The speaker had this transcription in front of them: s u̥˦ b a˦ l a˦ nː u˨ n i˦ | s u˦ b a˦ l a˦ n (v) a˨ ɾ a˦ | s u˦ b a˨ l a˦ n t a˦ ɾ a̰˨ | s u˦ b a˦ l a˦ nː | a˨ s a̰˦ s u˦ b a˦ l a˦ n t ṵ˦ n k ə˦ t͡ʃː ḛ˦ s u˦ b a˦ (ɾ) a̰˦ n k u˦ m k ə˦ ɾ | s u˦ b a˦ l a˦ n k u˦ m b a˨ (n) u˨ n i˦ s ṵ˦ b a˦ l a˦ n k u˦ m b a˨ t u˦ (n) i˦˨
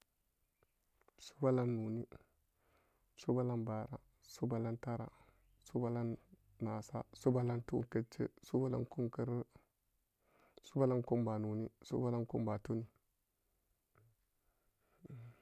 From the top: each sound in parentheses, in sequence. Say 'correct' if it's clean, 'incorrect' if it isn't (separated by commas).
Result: incorrect, incorrect, correct, correct